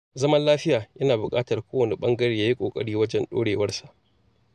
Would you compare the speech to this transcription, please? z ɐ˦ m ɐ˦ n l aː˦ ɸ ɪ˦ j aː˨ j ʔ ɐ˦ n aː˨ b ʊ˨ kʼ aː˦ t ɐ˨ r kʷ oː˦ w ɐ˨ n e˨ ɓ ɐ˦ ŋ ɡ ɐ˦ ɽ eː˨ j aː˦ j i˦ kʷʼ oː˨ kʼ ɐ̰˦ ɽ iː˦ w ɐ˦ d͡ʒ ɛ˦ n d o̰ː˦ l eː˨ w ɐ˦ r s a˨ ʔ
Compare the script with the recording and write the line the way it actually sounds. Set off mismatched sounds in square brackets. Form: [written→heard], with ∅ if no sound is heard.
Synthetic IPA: z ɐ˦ m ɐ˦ n l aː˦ ɸ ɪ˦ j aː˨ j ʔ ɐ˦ n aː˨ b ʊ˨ kʼ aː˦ t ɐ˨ r kʷ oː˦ w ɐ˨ n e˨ ɓ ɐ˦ ŋ ɡ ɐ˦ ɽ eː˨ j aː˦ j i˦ kʷʼ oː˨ kʼ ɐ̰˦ ɽ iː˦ w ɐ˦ d͡ʒ ɛ˦ n [d→ɗ] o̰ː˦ [l→ɽ] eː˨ w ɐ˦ r s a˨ ʔ

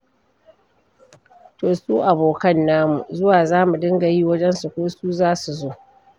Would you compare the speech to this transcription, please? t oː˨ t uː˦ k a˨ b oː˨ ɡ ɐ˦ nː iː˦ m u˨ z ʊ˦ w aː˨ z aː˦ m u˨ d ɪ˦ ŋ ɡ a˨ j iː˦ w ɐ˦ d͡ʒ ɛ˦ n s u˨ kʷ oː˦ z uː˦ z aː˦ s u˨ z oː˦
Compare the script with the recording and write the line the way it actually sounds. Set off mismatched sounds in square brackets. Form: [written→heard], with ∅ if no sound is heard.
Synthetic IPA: t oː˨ [t→s] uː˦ [k→ʔ] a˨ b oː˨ [ɡ→k] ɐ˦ nː [iː˦→aː˦] m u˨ z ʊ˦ w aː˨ z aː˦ m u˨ d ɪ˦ ŋ ɡ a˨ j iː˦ w ɐ˦ d͡ʒ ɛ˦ n s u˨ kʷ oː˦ [z→s] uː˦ z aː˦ s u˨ z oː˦

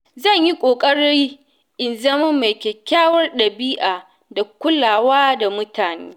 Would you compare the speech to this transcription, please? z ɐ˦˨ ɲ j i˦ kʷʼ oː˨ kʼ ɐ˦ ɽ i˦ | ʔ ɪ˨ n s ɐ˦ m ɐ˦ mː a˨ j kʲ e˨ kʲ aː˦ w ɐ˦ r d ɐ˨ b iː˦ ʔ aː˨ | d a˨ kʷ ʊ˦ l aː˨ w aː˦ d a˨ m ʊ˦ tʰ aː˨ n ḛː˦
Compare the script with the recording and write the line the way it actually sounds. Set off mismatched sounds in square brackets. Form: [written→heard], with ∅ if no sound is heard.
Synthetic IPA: z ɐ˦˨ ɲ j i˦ kʷʼ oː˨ kʼ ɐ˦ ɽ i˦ | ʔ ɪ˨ n [s→z] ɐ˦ m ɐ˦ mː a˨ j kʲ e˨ kʲ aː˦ w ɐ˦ r [d→ɗ] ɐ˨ b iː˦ ʔ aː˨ | d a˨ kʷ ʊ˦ l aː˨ w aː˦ d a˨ m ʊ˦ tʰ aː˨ n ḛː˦

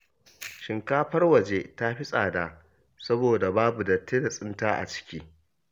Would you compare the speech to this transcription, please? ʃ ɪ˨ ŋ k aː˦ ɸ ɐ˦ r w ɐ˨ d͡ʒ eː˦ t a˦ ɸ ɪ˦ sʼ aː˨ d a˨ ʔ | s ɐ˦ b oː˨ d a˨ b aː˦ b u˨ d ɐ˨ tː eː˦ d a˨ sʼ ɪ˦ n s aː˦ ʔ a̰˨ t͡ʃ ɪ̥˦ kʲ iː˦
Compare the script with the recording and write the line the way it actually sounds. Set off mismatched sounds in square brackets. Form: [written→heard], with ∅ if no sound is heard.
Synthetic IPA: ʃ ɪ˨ ŋ k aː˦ ɸ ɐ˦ r w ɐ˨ d͡ʒ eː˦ t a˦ ɸ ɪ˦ sʼ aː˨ d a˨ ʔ | s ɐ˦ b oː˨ d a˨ b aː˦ b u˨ d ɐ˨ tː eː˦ d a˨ sʼ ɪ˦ n [s→t] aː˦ ʔ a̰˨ t͡ʃ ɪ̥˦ kʲ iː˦

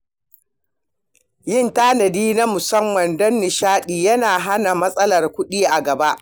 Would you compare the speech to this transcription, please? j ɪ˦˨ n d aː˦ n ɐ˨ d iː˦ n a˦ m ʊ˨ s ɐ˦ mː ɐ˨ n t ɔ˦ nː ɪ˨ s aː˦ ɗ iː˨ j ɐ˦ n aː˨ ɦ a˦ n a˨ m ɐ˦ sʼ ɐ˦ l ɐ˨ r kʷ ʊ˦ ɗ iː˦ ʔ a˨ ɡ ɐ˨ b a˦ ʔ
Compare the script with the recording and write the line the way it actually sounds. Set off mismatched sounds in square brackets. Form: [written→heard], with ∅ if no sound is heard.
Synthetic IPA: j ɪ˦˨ n [d→t] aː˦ n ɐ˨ d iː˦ n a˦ m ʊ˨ s ɐ˦ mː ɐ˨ n [t→d] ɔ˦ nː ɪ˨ [s→ʃ] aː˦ ɗ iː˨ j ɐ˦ n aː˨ ɦ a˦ n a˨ m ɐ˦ sʼ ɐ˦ l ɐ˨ r kʷ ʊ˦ ɗ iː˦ ʔ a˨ ɡ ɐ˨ b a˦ ʔ

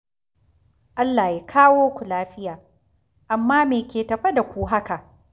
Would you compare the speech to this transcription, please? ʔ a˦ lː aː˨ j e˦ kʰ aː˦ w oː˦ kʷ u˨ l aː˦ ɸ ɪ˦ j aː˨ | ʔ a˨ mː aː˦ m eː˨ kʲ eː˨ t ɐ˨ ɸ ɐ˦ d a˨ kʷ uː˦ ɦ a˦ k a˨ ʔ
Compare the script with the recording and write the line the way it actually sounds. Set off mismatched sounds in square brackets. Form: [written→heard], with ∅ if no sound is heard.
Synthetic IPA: ʔ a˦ lː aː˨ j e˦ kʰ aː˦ w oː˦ kʷ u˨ l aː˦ ɸ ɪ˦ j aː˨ | ʔ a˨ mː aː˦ m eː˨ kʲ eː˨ t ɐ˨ ɸ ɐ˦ d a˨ kʷ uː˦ ɦ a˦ k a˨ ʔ

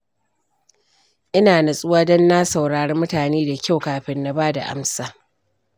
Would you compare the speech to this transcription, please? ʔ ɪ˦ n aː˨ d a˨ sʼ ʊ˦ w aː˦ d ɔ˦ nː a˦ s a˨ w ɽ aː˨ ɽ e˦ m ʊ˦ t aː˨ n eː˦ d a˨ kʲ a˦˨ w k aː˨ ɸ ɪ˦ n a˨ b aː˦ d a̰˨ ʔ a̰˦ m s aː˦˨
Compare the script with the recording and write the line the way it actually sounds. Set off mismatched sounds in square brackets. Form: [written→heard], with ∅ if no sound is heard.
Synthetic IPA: ʔ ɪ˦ n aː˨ [d→n] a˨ sʼ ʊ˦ w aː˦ d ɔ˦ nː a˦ s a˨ w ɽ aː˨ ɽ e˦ m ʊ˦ t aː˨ n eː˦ d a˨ kʲ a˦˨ w k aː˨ ɸ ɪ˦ [n→nː] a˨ b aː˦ d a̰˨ ʔ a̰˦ m s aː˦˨

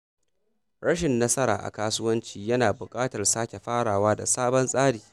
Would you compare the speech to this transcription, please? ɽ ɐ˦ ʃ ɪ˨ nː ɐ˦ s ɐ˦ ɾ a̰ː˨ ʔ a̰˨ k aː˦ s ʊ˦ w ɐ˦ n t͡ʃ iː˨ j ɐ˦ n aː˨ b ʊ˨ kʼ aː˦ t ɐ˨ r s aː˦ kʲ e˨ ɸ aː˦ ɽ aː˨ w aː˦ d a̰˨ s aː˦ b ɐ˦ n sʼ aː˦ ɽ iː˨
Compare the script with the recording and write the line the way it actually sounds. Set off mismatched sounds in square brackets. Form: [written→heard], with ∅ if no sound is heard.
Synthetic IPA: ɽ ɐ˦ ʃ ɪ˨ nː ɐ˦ s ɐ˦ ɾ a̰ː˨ ʔ a̰˨ k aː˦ s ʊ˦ w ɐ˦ n t͡ʃ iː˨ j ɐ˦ n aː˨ b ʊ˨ kʼ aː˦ t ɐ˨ r s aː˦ kʲ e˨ ɸ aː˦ ɽ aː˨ w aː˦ d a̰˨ s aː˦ b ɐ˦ n sʼ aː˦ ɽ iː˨

